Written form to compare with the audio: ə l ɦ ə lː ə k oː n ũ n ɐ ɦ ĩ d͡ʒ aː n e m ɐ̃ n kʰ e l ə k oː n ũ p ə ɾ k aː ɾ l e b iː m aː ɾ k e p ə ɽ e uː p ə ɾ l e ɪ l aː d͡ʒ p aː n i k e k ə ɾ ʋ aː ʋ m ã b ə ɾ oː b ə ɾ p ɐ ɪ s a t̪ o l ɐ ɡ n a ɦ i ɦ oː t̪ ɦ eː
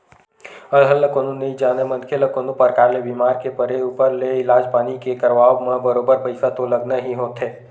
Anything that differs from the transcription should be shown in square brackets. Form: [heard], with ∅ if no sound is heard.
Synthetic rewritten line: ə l ɦ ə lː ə k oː n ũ n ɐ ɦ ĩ d͡ʒ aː n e m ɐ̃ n kʰ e l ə k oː n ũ p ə ɾ k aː ɾ l e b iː m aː ɾ k e p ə [ɾ] e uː p ə ɾ l e ɪ l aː d͡ʒ p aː n i k e k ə ɾ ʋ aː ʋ m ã b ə ɾ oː b ə ɾ p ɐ ɪ s a t̪ o l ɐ ɡ n a ɦ i ɦ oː t̪ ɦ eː